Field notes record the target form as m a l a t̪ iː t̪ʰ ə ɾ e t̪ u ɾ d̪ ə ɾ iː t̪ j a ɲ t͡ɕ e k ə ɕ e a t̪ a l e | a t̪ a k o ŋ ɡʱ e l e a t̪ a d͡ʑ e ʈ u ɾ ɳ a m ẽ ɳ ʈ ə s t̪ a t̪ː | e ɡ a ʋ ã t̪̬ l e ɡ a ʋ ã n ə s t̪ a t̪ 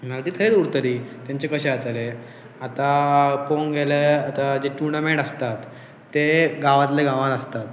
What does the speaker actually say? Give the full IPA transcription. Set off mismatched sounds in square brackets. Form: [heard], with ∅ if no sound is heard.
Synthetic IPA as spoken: m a l a t̪ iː t̪ʰ ə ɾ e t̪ u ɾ [t̪] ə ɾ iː t̪ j a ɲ t͡ɕ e k ə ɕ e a t̪ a l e | a t̪ a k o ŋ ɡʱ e l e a t̪ a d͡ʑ e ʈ u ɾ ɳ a m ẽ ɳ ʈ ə s t̪ a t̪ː | e ɡ a ʋ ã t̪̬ l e ɡ a ʋ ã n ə s t̪ a t̪